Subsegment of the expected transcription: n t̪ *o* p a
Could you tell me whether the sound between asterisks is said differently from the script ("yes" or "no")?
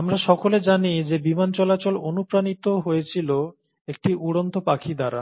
no